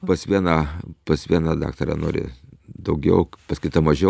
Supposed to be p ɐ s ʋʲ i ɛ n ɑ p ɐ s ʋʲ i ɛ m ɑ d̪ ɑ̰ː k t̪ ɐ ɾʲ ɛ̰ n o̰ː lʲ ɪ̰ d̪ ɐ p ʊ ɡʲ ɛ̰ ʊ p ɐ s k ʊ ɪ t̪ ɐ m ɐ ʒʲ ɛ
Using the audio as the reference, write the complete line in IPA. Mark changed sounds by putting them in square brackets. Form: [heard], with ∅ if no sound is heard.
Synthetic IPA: p ɐ s ʋʲ i ɛ n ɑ p ɐ s ʋʲ i ɛ [n] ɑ d̪ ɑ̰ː k t̪ ɐ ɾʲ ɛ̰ n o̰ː [ɾʲ] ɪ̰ d̪ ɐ [∅] ʊ ɡʲ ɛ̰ ʊ p ɐ s k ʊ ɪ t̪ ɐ m ɐ ʒʲ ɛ